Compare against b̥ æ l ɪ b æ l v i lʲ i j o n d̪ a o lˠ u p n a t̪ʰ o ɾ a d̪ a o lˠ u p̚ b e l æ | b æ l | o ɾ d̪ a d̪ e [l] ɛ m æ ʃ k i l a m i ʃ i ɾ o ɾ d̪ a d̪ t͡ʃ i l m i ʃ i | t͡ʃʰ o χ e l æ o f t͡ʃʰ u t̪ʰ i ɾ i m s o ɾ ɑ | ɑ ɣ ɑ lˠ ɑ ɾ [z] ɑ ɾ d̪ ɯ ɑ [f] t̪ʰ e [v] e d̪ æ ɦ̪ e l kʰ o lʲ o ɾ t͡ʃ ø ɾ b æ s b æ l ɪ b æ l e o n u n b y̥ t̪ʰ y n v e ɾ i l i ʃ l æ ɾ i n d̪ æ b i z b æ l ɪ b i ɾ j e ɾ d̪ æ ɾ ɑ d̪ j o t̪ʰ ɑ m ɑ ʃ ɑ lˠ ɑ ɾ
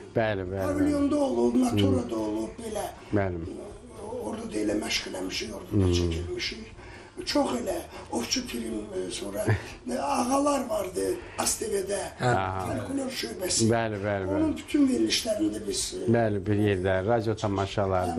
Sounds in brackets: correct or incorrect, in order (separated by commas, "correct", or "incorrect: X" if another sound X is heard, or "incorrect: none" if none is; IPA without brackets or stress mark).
correct, incorrect: v, incorrect: s, correct